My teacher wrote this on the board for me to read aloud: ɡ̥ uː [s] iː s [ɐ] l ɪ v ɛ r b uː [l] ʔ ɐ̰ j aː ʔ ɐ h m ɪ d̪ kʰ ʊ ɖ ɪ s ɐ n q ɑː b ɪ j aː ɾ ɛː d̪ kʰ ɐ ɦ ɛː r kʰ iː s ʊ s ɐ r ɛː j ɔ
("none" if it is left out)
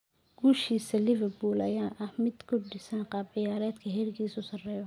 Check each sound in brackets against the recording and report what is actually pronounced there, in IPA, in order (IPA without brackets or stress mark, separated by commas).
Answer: ʃ, ɐ, l